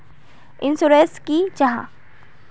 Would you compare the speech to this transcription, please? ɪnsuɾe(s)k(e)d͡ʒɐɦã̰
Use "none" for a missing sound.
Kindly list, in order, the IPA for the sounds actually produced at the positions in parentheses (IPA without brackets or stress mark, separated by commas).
s, i